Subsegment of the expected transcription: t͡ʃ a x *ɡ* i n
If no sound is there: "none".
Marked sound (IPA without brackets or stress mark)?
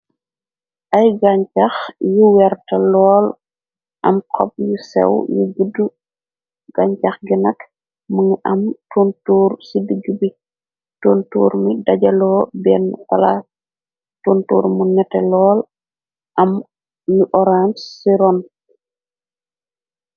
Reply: ɡ